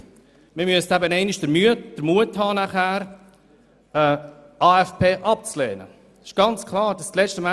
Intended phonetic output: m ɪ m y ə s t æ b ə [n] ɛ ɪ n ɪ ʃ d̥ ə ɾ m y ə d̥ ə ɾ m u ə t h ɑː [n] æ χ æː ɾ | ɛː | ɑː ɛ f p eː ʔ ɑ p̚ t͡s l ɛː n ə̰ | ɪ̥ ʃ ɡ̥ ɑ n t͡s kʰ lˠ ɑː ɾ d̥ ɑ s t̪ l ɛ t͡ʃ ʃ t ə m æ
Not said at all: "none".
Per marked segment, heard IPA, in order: n, n

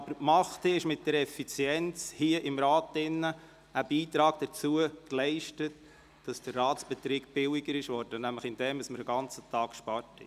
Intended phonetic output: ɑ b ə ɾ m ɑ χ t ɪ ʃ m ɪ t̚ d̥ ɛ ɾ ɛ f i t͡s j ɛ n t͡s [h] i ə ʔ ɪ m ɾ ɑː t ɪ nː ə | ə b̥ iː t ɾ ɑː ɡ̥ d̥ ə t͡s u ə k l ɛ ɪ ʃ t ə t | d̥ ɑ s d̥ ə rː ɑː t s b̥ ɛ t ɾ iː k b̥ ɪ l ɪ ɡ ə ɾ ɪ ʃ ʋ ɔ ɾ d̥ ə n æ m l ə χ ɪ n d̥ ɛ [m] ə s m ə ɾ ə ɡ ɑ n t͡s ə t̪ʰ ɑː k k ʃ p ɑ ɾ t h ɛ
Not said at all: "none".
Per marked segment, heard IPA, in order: h, m

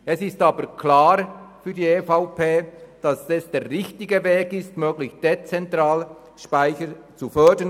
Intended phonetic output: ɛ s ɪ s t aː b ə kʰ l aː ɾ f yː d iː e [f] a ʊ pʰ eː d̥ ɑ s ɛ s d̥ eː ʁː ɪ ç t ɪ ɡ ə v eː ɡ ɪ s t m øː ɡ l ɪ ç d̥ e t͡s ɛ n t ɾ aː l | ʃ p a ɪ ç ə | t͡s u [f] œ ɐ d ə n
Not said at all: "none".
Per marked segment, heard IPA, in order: f, f

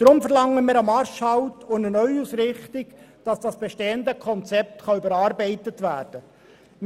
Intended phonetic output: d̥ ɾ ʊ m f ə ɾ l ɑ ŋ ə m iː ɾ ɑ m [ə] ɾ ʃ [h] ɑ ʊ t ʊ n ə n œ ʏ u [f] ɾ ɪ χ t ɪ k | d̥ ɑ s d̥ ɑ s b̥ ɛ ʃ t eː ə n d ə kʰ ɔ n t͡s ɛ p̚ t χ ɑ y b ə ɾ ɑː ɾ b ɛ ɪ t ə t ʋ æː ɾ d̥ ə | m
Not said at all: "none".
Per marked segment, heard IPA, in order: ɑ, h, s

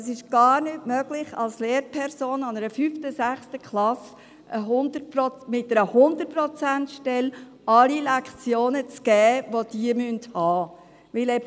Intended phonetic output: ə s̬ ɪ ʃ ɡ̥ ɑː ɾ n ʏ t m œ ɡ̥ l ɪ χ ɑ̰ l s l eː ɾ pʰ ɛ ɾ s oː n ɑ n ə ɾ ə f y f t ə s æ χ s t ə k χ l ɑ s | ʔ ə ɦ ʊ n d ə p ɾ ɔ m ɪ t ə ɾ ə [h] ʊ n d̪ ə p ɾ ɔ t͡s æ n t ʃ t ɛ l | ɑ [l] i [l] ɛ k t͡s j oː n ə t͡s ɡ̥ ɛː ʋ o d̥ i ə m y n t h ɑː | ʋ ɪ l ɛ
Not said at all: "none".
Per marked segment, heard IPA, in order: h, l, l

